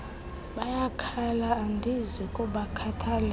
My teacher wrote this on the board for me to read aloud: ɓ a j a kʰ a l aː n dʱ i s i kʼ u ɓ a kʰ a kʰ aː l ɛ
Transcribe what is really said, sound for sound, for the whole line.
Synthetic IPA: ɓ a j a kʰ a l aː n dʱ i z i kʼ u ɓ a kʰ a tʰ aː l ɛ